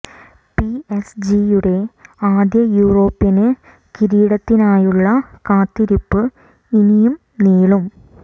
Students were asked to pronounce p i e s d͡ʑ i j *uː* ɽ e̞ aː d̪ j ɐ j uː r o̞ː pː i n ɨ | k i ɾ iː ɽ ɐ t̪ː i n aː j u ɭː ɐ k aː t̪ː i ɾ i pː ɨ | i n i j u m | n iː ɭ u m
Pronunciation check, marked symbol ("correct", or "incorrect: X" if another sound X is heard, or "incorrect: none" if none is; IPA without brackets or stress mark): incorrect: u